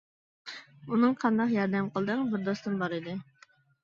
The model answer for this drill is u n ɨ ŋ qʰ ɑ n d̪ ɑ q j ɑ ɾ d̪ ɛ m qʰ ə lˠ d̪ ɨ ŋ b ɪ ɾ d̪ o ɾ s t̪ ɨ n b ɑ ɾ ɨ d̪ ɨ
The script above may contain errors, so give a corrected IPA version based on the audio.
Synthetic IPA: u n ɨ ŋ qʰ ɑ n d̪ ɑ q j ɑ ɾ d̪ ɛ m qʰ ə lˠ d̪ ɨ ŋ b ɪ ɾ d̪ o s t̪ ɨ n b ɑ ɾ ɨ d̪ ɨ